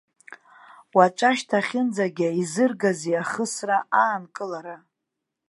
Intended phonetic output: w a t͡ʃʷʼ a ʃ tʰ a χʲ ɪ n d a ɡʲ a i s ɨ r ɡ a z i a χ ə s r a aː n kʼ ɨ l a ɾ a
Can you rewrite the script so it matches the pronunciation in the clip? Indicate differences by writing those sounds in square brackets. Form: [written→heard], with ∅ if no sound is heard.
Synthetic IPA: w a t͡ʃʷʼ a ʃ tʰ a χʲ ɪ n [d→d͡z] a ɡʲ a i [s→z] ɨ r ɡ a z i a χ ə s r a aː n kʼ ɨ l a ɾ a